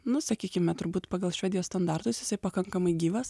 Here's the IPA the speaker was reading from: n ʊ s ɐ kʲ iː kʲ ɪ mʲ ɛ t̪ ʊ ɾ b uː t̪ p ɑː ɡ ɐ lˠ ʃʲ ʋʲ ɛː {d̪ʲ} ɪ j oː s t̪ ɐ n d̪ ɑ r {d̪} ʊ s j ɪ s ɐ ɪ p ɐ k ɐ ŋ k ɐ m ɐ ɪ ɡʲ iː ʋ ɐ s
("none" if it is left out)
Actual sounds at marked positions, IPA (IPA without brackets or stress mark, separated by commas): d̪ʲ, t̪